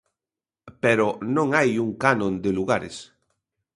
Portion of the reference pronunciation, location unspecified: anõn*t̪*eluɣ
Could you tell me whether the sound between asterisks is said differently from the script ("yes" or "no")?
yes